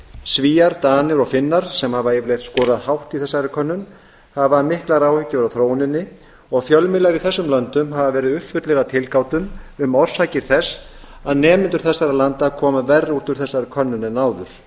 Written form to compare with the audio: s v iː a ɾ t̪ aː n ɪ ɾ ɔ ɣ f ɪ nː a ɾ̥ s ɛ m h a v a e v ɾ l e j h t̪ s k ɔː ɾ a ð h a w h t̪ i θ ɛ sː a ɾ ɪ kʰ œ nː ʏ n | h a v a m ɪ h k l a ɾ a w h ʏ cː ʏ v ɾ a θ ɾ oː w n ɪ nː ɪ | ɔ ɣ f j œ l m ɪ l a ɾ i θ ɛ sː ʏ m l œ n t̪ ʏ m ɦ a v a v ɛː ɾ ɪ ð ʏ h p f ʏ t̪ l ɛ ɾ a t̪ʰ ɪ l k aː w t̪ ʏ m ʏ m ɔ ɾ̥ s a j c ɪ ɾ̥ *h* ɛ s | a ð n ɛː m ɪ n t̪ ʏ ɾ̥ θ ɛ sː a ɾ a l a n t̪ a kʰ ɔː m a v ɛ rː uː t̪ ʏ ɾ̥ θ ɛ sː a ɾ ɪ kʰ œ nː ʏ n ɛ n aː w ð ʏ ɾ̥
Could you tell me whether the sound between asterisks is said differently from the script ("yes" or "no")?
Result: yes